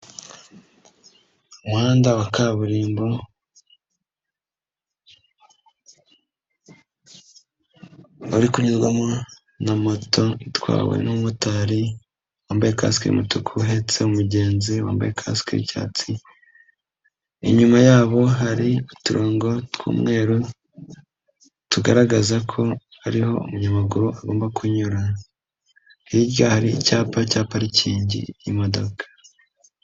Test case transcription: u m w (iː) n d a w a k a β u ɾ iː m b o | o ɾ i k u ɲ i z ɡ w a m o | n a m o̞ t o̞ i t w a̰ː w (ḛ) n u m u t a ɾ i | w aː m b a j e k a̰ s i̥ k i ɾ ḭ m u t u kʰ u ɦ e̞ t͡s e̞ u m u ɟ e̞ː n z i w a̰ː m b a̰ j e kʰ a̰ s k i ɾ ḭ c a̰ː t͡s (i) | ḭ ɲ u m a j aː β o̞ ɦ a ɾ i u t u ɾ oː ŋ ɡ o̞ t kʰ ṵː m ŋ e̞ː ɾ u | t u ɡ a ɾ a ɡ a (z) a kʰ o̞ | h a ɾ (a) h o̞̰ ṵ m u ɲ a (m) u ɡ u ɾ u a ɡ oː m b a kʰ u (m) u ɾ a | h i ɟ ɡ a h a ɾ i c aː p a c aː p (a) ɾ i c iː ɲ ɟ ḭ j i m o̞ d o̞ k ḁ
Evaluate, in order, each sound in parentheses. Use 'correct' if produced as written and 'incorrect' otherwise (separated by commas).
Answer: incorrect, correct, correct, correct, incorrect, correct, incorrect, correct